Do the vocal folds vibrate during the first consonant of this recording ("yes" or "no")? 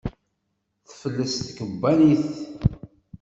no